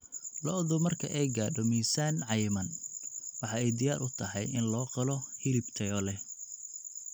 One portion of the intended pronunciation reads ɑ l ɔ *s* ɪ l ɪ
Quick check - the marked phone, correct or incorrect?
incorrect